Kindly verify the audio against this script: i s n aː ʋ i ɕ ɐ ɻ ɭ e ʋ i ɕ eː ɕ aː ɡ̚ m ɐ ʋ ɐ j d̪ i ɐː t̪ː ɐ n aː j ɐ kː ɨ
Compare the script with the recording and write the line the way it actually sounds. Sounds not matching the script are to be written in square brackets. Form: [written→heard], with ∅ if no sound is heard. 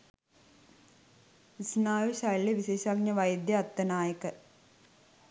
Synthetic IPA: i s n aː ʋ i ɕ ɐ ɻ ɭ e ʋ i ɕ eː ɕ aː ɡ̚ [m→ɲ] ɐ ʋ ɐ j d̪ [i→j] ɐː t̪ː ɐ n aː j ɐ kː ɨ